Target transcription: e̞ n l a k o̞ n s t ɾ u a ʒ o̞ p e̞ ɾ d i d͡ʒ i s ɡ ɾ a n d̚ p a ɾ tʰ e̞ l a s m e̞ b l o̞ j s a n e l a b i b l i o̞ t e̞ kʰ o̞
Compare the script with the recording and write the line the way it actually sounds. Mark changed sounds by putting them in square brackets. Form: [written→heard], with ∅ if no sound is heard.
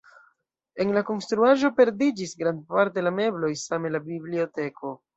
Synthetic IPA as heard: e̞ n l a k o̞ n s t ɾ u a ʒ o̞ p e̞ ɾ d i d͡ʒ i s ɡ ɾ a n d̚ p a ɾ [tʰ→t] e̞ l a [s→∅] m e̞ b l o̞ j s a [n→m] e l a b i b l i o̞ t e̞ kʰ o̞